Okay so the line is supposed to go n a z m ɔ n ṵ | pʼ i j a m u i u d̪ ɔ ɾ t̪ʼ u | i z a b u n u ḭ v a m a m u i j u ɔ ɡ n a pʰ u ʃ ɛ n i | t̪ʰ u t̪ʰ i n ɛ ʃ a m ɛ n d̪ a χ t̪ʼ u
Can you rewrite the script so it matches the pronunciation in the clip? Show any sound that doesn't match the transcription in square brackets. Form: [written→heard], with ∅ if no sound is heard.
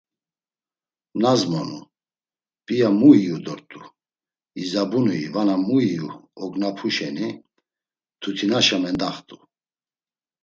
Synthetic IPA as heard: n a z m ɔ n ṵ | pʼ i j a m u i u d̪ ɔ ɾ t̪ʼ u | i z a b u n u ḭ v a [m→n] a m u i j u ɔ ɡ n a pʰ u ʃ ɛ n i | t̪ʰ u t̪ʰ i n [ɛ→a] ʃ a m ɛ n d̪ a χ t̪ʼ u